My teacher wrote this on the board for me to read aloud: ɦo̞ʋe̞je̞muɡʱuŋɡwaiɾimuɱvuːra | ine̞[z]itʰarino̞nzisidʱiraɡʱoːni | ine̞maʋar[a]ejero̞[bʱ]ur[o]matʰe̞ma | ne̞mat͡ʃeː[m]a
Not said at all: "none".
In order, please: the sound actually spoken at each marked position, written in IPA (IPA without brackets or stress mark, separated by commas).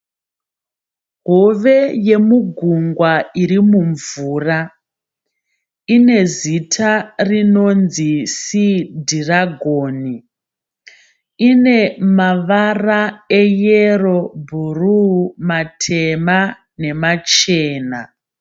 z, a, bʱ, u, n